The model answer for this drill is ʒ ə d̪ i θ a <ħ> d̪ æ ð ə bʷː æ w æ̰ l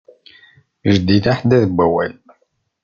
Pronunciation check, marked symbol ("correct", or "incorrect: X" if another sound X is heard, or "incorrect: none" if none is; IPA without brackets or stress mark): correct